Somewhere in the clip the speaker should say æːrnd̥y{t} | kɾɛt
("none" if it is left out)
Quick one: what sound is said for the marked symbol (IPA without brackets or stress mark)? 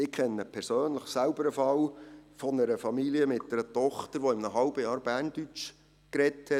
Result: t͡ʃ